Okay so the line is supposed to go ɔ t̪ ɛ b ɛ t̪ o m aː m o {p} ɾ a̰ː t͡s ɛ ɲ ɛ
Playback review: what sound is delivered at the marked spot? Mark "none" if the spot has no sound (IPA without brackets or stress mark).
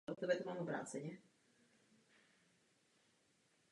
b